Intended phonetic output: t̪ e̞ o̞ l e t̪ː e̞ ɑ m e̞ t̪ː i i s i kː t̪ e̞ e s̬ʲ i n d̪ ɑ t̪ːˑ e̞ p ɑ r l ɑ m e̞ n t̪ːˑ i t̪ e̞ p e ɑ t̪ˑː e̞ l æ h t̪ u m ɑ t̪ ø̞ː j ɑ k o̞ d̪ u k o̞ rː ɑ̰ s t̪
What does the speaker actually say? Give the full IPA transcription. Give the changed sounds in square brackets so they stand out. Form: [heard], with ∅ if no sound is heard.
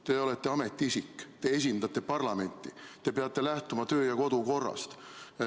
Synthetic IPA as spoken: t̪ e̞ o̞ l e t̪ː e̞ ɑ m e̞ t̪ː i i s i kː t̪ e̞ e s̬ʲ i n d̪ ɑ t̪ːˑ e̞ p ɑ r l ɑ m e̞ n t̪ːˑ i t̪ e̞ p e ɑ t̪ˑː e̞ l æ h t̪ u m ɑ t̪ ø̞ː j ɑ k o̞ d̪ u k o̞ rː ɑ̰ s t̪